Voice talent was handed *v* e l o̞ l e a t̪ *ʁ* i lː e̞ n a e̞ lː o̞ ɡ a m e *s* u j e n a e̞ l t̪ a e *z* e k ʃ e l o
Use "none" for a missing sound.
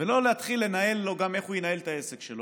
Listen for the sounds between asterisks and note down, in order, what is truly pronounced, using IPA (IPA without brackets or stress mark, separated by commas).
v, χ, χ, s